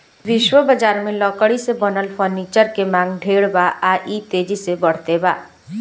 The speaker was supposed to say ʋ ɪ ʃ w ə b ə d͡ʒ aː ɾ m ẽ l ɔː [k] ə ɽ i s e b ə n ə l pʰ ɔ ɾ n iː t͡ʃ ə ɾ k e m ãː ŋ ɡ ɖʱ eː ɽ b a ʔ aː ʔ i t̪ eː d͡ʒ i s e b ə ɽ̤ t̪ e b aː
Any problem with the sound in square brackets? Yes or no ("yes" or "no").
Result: no